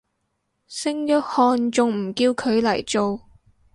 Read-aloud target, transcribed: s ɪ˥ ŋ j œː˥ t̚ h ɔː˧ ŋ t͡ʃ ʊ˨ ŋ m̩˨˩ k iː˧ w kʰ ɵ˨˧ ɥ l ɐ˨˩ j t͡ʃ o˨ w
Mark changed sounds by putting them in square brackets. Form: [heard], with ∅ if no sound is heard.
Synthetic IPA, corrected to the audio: s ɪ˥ ŋ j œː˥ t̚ h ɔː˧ [n] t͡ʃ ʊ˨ ŋ m̩˨˩ k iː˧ w kʰ ɵ˨˧ ɥ l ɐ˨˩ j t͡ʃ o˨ w